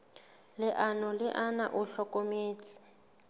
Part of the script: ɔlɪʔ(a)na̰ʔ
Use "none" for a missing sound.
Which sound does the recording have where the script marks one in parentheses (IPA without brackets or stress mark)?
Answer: a